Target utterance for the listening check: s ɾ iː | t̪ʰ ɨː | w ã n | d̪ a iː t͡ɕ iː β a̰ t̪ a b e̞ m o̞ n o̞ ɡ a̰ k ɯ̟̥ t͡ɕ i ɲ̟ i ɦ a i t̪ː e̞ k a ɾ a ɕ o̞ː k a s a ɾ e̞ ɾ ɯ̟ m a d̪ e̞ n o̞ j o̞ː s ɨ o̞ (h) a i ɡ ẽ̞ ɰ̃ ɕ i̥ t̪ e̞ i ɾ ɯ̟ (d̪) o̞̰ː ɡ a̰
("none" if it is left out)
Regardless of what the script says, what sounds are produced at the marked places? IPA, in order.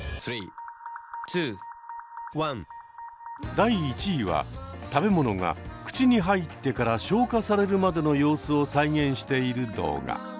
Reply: s, d̪

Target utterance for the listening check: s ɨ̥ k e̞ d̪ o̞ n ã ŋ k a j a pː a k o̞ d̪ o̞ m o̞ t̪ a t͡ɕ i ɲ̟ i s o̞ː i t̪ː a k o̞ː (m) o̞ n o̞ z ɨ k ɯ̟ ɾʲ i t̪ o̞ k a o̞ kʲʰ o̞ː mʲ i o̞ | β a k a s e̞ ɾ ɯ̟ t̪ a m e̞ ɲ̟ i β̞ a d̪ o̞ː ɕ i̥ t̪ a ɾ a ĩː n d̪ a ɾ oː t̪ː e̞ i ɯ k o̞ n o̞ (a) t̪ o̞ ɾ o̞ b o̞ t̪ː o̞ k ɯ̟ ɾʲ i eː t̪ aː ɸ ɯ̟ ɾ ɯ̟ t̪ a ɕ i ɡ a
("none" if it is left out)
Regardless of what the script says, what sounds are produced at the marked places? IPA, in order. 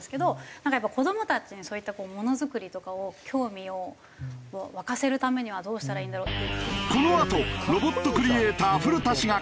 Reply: m, a

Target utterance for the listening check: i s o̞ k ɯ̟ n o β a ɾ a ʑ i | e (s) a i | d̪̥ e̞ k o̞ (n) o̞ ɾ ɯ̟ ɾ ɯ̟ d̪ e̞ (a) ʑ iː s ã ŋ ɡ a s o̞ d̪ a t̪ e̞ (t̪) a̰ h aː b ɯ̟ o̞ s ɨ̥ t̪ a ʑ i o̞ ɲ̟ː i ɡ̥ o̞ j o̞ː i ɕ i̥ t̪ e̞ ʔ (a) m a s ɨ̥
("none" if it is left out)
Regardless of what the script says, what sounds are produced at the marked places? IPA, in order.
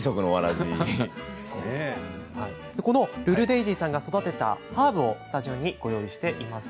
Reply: h, n, i, t̪, i

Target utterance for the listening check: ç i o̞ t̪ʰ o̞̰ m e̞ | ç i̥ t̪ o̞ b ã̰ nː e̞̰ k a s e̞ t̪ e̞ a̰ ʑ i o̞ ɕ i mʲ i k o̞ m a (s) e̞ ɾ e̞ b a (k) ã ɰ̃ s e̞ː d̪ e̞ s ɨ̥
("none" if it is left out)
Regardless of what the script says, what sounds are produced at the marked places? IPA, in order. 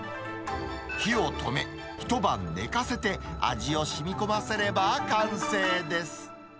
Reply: s, k

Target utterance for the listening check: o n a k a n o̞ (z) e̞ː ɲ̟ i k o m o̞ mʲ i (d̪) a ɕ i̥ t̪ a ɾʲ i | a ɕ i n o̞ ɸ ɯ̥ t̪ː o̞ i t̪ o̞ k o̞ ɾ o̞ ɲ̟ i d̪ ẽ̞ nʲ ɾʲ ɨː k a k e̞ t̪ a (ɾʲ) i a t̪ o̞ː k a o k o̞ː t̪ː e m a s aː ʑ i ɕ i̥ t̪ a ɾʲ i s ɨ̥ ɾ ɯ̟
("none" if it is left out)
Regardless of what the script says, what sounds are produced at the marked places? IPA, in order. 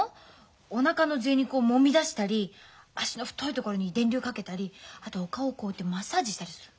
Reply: z, d̪, ɾʲ

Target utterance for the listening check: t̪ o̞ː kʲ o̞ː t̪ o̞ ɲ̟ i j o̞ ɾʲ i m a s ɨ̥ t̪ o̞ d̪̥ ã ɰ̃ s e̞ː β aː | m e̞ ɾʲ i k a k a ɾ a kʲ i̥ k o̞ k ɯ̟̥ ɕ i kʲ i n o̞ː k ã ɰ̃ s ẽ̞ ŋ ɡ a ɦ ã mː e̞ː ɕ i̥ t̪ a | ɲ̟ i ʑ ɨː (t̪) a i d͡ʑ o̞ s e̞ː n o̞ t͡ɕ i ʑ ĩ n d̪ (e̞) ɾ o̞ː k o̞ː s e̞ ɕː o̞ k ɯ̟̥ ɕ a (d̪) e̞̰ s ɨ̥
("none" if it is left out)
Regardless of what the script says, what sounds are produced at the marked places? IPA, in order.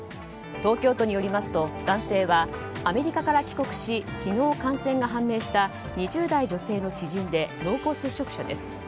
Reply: d̪, e̞, d̪

